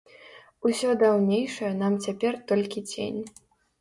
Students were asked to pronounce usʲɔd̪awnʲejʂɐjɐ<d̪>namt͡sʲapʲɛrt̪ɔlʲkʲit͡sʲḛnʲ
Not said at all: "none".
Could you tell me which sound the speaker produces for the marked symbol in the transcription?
none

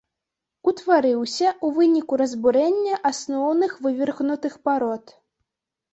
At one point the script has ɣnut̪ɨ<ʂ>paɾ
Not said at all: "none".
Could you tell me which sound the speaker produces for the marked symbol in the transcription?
x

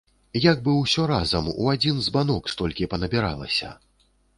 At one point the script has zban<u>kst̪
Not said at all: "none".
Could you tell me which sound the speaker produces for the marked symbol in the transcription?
ɔ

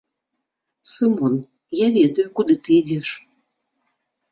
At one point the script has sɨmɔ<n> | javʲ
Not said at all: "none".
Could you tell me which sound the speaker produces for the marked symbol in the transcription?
n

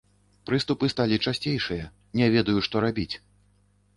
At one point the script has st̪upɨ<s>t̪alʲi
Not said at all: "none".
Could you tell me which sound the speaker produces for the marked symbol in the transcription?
s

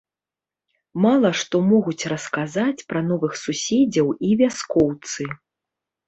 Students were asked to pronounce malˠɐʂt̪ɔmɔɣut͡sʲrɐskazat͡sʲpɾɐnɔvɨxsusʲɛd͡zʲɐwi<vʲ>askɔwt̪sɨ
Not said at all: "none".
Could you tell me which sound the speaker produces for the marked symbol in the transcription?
vʲ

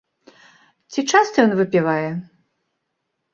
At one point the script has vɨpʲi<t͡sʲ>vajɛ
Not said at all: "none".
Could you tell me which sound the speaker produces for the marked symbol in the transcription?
none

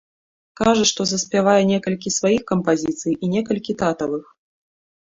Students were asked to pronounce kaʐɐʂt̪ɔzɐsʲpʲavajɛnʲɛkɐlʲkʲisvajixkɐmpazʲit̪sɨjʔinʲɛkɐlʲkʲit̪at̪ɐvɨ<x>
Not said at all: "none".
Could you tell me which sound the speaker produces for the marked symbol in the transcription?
x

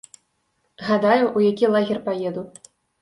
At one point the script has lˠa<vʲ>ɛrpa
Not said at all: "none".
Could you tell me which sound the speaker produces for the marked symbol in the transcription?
ɣʲ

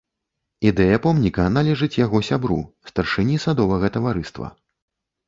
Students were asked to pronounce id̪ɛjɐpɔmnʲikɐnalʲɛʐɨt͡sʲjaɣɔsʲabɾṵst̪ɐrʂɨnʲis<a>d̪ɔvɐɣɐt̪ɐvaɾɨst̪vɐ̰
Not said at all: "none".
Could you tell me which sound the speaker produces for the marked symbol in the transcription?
a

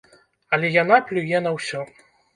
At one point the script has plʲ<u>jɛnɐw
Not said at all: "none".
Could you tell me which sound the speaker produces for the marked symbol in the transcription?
u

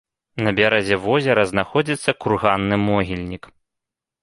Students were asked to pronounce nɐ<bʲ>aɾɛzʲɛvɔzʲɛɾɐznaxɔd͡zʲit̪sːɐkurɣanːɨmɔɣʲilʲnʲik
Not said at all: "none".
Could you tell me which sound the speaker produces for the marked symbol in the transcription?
bʲ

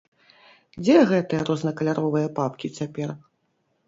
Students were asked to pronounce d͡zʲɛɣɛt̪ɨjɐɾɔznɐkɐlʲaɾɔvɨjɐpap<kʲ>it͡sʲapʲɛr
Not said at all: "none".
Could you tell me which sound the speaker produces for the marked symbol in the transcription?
kʲ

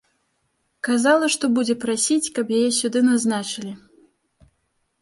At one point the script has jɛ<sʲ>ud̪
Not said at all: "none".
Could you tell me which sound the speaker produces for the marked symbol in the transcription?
sʲ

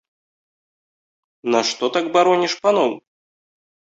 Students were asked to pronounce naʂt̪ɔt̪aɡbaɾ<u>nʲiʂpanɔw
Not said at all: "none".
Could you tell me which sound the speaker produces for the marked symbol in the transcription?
ɔ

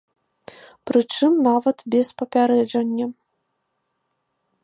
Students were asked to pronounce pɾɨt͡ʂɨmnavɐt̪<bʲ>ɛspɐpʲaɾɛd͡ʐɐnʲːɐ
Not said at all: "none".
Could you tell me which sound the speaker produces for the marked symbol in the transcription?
bʲ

